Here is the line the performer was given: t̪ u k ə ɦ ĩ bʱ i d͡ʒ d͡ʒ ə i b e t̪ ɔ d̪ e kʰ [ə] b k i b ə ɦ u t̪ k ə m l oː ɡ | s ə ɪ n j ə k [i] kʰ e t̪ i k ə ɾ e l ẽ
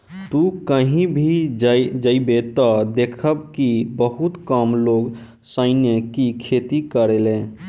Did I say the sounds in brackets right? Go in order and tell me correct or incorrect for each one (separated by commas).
correct, correct